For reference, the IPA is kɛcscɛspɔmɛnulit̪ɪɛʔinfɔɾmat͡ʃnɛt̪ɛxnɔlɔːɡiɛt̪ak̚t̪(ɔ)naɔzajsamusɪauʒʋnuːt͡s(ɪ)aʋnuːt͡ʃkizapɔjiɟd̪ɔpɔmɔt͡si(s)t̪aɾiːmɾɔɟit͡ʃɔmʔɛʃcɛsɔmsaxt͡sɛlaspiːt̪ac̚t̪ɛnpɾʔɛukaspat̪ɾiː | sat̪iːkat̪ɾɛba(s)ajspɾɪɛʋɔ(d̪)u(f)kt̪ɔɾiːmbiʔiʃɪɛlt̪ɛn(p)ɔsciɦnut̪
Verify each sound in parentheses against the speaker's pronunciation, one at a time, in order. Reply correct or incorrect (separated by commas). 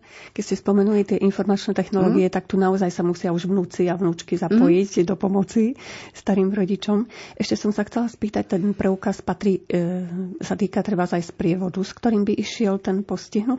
incorrect, incorrect, correct, incorrect, correct, incorrect, correct